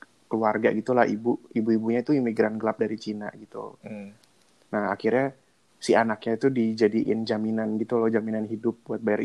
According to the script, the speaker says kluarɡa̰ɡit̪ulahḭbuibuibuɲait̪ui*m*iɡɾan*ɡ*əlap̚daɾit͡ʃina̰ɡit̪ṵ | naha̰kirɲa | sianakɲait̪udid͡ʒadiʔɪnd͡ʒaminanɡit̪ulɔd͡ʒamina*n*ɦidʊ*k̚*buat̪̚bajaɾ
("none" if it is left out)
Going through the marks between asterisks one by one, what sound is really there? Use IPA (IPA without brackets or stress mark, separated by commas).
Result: m, ɡ, n, p̚